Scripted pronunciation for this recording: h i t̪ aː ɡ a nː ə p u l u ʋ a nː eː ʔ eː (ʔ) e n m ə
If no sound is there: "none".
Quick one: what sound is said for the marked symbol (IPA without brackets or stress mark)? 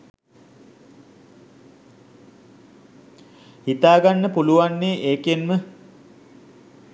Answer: k